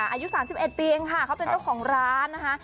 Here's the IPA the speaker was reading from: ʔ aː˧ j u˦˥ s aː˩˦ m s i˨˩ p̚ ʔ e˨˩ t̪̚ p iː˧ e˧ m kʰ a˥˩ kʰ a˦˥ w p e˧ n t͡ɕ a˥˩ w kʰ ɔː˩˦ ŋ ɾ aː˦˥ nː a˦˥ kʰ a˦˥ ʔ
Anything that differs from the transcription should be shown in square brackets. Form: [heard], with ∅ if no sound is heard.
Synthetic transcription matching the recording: ʔ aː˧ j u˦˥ s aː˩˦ m s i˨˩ p̚ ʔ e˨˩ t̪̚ p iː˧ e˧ [ŋ] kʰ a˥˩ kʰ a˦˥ w p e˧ n t͡ɕ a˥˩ w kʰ ɔː˩˦ ŋ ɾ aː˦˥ nː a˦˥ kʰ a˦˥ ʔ